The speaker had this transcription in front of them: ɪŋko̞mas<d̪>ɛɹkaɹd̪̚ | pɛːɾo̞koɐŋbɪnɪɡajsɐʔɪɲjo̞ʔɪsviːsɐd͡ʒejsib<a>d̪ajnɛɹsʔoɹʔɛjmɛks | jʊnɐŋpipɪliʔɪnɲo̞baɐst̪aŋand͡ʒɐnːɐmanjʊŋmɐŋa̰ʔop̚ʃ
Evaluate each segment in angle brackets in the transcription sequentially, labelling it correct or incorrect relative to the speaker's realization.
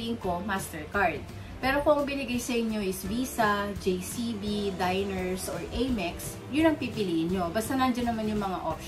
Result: incorrect, incorrect

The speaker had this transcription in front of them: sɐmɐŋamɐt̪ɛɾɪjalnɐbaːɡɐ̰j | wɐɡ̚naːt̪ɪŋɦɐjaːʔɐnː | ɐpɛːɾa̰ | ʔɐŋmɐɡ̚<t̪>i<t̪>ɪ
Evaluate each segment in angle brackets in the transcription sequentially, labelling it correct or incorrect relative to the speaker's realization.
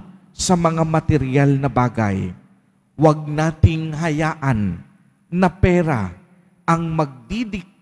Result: incorrect, incorrect

